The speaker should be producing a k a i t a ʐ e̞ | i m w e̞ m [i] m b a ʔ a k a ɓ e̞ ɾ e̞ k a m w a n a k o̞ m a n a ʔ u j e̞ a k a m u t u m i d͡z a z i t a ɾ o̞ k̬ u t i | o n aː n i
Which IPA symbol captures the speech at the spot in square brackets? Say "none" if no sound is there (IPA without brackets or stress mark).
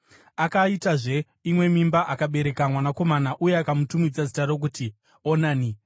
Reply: i